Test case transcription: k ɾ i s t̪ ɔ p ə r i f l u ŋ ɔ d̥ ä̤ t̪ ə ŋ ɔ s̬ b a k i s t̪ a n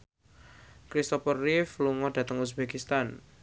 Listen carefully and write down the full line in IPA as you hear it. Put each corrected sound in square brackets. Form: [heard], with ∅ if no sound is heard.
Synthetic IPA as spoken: k ɾ i s t̪ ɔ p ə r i f l u ŋ ɔ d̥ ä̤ t̪ ə ŋ [u] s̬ b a k i s t̪ a n